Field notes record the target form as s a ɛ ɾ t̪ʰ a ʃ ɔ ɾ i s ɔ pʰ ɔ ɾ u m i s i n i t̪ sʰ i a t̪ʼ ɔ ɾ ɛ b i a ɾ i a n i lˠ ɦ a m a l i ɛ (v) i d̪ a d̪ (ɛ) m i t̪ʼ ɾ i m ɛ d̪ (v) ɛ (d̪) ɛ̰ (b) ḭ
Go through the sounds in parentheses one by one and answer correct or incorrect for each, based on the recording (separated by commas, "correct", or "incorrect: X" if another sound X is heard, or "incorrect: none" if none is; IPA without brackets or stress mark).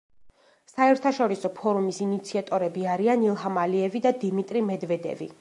correct, incorrect: i, correct, correct, incorrect: v